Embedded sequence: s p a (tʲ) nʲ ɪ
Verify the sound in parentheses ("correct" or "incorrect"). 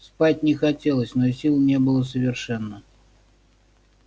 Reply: correct